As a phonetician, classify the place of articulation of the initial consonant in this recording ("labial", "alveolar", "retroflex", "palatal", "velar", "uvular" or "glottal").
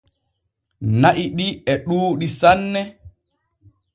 alveolar